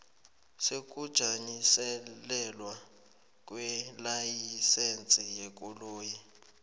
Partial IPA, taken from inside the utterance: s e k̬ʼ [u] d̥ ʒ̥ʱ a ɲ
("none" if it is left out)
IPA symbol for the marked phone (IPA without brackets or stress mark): u